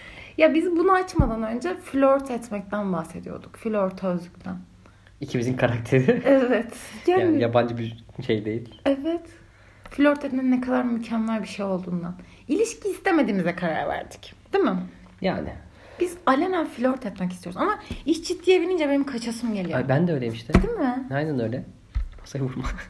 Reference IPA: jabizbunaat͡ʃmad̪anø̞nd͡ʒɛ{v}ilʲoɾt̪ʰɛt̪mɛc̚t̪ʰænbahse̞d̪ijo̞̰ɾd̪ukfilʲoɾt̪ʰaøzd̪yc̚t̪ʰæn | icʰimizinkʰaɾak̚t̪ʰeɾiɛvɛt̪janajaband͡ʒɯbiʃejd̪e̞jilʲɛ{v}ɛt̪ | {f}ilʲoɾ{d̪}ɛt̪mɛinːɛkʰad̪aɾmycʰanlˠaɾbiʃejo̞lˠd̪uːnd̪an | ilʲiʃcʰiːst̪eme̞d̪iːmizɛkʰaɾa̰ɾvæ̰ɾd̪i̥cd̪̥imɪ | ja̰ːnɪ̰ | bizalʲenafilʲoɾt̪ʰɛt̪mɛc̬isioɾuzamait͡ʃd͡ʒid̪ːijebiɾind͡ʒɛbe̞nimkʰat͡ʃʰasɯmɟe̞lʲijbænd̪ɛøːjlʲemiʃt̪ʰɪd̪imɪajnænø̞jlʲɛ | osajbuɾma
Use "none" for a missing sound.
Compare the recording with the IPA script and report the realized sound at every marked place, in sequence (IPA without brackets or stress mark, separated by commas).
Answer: f, v, f, t̪